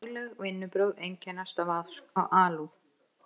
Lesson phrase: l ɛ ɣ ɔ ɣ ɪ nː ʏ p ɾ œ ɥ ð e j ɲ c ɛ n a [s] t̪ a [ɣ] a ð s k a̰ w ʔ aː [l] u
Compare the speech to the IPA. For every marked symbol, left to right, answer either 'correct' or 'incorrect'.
correct, incorrect: v, correct

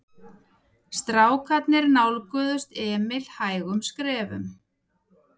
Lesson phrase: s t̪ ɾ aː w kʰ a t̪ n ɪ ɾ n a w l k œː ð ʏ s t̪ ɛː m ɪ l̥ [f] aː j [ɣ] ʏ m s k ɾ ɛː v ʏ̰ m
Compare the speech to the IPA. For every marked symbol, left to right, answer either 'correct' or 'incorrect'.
incorrect: h, correct

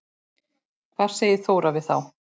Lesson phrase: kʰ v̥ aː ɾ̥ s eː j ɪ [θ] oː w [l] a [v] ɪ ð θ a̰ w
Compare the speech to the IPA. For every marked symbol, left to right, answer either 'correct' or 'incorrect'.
correct, incorrect: ɾ, correct

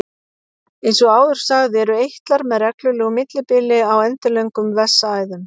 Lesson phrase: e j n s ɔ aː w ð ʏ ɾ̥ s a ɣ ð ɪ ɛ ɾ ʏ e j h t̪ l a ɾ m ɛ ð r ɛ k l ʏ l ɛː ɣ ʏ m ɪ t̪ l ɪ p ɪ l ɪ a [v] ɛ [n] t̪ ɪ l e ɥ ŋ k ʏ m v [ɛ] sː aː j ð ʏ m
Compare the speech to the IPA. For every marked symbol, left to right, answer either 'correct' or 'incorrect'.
incorrect: w, correct, correct

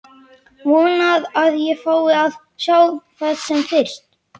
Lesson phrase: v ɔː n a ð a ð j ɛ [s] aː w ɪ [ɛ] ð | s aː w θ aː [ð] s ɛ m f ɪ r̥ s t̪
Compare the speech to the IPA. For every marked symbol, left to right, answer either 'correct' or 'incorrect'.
incorrect: f, incorrect: a, correct

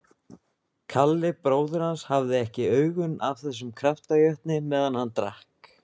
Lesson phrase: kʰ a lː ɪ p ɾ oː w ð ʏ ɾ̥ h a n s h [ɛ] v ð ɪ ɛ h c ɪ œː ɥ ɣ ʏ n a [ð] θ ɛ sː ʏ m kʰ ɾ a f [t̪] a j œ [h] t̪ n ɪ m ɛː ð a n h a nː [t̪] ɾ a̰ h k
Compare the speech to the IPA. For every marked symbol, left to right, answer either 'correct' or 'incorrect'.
incorrect: a, incorrect: v, correct, correct, correct

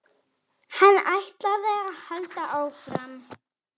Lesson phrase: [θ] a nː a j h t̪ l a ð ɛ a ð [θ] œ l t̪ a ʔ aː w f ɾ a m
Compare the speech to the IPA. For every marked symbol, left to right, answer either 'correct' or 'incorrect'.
incorrect: h, incorrect: h

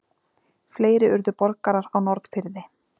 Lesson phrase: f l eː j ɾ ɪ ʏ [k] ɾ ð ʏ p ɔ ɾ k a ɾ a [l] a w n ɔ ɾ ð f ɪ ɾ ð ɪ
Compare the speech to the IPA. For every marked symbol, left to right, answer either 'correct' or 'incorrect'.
incorrect: none, incorrect: ɾ

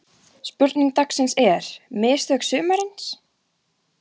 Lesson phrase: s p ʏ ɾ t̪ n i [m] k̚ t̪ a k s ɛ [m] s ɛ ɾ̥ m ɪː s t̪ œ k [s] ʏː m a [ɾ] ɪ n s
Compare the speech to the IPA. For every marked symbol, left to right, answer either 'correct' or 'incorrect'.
incorrect: ŋ, incorrect: n, correct, correct

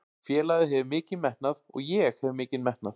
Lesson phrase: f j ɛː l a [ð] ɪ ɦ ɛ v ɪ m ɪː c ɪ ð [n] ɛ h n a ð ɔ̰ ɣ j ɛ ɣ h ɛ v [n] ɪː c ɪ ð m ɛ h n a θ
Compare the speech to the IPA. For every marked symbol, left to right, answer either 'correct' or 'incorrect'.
correct, incorrect: m, incorrect: m

